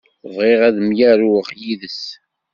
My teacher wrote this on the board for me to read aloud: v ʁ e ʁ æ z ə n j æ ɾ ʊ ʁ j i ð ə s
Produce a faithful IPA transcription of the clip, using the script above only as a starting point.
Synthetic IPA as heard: v ʁ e ʁ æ ð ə m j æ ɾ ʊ ʁ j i ð ə s